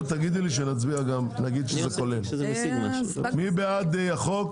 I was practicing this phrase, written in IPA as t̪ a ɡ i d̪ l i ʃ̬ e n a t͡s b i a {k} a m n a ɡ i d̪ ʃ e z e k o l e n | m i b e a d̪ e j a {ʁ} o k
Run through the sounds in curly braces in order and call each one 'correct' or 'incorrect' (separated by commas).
incorrect, incorrect